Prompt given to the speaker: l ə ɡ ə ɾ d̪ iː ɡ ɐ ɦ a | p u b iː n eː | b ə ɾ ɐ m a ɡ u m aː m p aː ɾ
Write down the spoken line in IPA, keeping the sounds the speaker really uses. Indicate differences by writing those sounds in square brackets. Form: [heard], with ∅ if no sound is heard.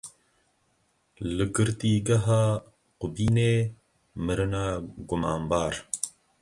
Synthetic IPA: l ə ɡ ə ɾ [t̪] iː ɡ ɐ ɦ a | [q] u b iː n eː | [m] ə ɾ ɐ [n] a ɡ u m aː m [b] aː ɾ